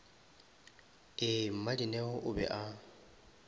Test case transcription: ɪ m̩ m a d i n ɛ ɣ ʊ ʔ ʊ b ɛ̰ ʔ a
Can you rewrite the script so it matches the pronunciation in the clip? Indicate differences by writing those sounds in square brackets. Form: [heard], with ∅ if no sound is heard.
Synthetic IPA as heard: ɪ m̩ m a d i n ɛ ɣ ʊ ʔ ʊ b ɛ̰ ʔ a